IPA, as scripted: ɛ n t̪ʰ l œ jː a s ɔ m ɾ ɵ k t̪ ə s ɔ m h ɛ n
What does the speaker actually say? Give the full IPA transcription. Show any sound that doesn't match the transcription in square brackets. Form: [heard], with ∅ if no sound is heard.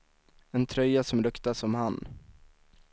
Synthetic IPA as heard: ɛ n t̪ʰ [ɾ] œ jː a s ɔ m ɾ ɵ k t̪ [a] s ɔ m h [a] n